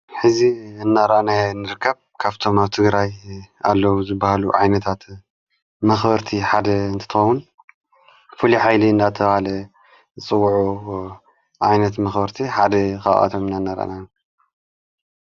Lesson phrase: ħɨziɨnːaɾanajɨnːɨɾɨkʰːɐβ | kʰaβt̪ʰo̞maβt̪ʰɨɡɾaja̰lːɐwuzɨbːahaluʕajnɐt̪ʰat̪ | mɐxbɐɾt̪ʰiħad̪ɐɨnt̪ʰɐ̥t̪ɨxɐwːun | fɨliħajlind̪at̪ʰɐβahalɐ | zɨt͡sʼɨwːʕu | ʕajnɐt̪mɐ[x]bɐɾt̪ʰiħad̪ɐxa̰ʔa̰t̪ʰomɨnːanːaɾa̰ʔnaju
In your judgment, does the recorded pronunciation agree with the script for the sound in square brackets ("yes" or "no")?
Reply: yes